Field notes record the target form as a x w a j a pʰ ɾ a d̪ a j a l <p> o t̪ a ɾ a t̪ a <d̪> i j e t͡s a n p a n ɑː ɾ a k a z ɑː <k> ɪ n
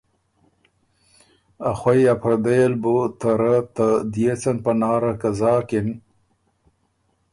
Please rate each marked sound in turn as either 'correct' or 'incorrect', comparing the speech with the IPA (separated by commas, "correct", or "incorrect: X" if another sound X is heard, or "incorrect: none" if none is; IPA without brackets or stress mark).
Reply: incorrect: b, correct, correct